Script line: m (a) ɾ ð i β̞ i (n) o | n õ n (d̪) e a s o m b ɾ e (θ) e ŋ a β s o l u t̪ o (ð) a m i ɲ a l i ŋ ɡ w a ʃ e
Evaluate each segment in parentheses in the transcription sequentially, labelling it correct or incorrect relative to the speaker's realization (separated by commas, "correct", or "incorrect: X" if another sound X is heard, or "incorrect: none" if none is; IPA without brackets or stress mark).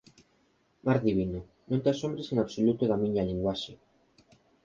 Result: correct, correct, incorrect: t̪, incorrect: s, correct